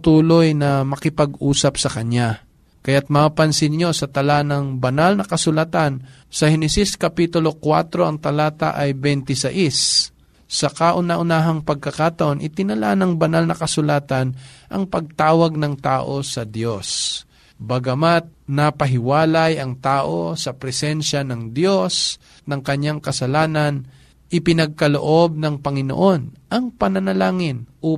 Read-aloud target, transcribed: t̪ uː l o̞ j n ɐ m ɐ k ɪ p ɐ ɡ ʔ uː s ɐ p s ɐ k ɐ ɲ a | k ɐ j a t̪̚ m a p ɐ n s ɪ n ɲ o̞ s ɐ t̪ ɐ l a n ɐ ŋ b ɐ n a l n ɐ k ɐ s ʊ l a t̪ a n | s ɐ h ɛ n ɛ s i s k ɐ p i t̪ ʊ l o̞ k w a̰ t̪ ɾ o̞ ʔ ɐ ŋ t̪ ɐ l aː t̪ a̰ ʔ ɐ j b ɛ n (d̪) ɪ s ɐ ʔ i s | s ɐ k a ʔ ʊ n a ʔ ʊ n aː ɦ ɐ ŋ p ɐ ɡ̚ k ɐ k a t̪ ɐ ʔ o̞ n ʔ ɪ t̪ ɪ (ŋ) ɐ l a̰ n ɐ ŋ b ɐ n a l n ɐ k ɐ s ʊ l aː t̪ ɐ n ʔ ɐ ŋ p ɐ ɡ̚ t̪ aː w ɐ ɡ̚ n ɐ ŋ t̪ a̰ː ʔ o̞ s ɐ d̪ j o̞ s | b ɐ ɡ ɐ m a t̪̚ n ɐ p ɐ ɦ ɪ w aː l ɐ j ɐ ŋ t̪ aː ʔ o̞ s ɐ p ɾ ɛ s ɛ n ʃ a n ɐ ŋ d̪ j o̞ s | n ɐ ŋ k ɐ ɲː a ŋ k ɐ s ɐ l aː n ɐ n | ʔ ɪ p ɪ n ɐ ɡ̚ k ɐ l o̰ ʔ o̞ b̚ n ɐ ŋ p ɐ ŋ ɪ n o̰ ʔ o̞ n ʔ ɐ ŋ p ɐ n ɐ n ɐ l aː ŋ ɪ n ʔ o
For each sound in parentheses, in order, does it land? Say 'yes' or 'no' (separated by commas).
no, no